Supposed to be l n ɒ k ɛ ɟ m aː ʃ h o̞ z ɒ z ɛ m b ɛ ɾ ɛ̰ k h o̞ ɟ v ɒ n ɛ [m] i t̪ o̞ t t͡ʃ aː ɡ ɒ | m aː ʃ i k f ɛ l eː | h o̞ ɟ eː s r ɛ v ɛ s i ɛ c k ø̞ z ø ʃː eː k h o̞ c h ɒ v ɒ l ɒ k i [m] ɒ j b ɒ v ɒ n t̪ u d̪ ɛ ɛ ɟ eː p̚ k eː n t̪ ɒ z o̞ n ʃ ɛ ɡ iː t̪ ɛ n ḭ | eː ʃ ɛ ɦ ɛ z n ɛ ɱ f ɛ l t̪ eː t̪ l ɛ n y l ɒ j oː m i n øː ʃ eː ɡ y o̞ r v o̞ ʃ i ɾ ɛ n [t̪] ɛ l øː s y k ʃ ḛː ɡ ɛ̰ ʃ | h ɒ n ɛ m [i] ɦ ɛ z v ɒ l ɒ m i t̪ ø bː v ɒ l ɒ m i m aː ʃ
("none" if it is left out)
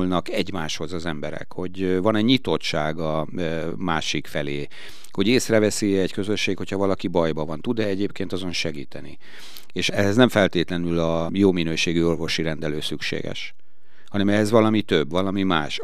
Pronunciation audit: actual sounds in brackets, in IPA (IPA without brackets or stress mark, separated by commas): ɲ, b, d̪, ɛ